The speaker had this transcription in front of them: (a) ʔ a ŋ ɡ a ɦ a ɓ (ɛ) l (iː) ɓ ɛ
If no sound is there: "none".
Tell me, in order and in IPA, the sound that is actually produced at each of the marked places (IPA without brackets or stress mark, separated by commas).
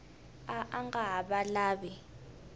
a, a, aː